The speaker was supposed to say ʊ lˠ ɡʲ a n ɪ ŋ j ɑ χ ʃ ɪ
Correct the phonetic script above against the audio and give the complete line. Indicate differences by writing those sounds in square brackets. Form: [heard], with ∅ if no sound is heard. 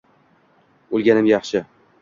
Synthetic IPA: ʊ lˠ ɡʲ a n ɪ [m] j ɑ χ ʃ ɪ